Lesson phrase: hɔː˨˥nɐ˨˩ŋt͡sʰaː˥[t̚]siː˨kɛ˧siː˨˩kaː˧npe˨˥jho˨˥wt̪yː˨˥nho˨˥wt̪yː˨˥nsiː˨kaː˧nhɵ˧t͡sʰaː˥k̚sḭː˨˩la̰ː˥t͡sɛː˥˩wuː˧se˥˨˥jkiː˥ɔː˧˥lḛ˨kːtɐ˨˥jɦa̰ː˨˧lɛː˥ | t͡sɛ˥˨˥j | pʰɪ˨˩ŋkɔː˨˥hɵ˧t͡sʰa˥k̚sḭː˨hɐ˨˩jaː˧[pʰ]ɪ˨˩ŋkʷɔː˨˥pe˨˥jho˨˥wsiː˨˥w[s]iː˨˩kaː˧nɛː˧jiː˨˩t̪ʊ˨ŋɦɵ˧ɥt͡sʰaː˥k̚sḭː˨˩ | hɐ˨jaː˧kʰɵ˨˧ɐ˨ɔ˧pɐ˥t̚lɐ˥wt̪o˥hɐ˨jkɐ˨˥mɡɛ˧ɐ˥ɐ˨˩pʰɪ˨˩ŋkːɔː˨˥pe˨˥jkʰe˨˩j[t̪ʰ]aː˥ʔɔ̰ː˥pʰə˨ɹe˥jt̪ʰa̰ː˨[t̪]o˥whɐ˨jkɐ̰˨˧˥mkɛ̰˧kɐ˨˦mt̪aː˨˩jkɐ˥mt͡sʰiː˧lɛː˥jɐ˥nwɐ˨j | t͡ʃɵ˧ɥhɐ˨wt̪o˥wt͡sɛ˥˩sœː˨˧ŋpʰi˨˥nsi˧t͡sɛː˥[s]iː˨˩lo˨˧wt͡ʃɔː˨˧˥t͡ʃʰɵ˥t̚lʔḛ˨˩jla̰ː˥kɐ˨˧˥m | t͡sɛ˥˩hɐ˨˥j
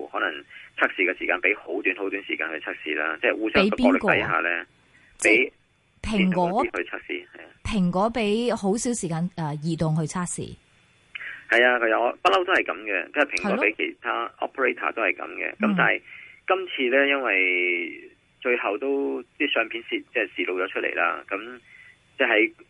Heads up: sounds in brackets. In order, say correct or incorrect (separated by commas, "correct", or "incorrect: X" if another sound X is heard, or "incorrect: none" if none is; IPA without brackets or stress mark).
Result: incorrect: k̚, correct, correct, correct, correct, correct